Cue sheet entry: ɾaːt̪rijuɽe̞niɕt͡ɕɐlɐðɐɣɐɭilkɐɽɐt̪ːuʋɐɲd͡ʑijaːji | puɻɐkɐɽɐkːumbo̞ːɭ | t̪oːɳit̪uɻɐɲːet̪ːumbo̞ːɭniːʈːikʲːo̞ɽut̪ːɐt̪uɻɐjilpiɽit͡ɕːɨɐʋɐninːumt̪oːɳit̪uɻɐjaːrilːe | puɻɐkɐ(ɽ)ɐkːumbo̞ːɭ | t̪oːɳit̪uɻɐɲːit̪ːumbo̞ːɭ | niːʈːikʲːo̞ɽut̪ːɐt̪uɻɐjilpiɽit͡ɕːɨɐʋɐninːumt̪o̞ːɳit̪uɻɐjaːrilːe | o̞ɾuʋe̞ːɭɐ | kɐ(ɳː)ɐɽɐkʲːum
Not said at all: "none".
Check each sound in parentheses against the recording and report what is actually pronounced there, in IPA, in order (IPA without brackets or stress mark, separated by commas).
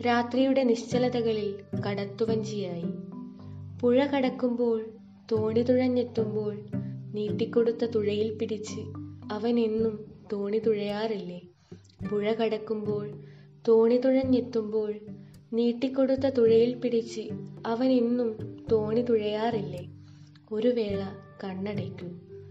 ɽ, ɳː